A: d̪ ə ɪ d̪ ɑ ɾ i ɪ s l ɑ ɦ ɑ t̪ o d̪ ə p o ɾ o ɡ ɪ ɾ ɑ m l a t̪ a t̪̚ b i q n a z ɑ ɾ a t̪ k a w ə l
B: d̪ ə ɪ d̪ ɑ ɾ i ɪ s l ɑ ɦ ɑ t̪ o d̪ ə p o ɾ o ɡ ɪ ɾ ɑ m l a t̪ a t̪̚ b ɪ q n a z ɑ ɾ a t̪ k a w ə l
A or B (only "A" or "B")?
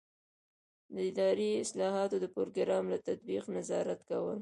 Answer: A